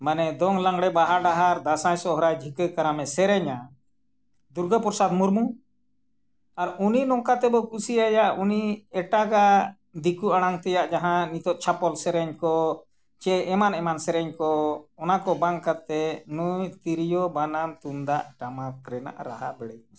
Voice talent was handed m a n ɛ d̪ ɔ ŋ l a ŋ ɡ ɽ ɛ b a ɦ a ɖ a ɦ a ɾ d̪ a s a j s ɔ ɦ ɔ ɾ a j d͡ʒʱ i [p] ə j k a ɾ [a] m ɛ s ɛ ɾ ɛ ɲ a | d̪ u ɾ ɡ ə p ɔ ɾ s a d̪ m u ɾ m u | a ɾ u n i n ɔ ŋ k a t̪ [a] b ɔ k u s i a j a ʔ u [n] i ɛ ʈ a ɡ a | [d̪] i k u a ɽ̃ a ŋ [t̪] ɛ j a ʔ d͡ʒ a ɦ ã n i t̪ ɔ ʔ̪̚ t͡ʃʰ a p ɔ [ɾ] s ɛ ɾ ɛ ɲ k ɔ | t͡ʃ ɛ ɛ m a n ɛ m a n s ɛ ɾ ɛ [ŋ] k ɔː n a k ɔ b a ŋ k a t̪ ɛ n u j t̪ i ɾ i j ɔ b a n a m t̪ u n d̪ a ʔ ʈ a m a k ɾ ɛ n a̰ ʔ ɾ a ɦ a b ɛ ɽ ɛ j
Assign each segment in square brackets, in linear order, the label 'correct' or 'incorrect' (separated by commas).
incorrect, correct, incorrect, correct, correct, correct, incorrect, incorrect